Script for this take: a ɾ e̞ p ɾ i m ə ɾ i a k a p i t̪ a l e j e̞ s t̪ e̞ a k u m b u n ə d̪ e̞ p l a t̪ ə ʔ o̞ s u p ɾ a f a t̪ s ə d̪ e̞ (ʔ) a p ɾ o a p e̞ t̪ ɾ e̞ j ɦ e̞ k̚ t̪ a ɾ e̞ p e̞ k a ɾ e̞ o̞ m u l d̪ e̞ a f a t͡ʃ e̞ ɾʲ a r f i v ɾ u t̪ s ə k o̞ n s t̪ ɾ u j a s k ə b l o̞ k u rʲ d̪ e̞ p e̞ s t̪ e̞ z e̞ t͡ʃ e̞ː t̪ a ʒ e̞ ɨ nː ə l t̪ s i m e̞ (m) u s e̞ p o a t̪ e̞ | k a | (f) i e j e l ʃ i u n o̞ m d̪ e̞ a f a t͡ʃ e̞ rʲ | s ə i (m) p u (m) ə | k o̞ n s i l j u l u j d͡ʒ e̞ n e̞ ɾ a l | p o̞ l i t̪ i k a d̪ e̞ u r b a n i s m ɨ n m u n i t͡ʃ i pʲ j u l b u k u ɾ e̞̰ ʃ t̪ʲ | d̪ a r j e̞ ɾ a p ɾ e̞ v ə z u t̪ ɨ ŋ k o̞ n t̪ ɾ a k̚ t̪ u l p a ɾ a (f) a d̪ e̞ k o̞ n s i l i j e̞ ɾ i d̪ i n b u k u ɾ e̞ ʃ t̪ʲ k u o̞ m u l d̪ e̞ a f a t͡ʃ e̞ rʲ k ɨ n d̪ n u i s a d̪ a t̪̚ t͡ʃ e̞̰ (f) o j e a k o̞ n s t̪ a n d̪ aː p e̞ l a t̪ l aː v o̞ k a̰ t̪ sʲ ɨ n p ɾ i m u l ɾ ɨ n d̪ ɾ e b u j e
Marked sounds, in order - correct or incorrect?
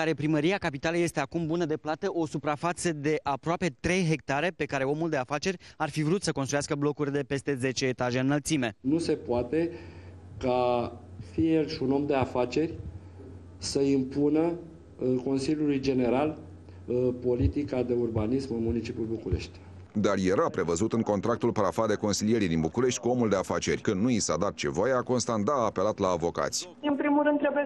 correct, incorrect: n, correct, correct, incorrect: n, correct, incorrect: v

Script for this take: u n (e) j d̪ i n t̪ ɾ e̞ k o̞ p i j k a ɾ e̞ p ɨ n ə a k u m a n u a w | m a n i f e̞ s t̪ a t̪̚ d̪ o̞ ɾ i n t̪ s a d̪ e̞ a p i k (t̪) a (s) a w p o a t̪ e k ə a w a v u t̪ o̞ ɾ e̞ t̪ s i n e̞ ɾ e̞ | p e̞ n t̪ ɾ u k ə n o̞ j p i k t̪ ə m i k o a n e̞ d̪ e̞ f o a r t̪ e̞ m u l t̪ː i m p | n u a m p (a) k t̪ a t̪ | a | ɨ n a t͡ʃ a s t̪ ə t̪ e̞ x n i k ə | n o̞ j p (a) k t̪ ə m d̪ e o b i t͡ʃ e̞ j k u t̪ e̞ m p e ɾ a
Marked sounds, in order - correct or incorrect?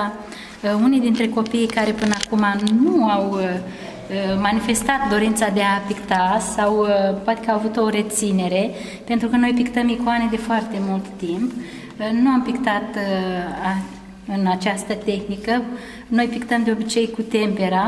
incorrect: i, correct, correct, incorrect: i, incorrect: i

